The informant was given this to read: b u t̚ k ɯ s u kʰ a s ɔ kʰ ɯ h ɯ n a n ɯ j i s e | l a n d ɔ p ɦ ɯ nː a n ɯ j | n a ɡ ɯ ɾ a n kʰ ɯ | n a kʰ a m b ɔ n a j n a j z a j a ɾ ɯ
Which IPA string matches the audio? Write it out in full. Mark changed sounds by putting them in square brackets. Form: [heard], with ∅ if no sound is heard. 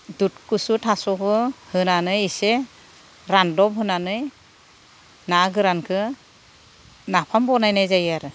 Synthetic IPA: [d] u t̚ k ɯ s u [tʰ] a s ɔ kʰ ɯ h ɯ n a n ɯ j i s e | [ɾ] a n d ɔ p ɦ ɯ [n] a n ɯ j | n a ɡ ɯ ɾ a n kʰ ɯ | n a [pʰ] a m b ɔ n a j n a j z a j a ɾ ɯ